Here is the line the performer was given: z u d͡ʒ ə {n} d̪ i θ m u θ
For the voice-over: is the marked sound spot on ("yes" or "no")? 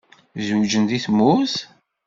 yes